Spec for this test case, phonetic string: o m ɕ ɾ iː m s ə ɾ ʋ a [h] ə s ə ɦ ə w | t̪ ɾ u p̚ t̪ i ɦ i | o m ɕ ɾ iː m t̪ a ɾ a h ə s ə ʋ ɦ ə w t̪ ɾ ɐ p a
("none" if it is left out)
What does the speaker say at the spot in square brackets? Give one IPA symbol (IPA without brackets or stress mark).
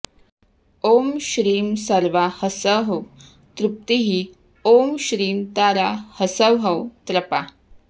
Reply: h